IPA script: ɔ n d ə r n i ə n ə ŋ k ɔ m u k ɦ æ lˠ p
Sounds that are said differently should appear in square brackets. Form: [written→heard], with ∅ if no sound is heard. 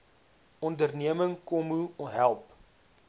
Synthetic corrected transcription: ɔ n d ə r n i ə [n→m] ə ŋ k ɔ m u [k→∅] ɦ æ lˠ p